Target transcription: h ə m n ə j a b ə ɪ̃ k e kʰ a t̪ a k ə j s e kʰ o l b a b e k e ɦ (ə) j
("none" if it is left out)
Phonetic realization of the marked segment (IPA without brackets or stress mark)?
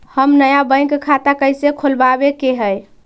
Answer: ə